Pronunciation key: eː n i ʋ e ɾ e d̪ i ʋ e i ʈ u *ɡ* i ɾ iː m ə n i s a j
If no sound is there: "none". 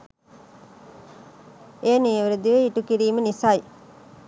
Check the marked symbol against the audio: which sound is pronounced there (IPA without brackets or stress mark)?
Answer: k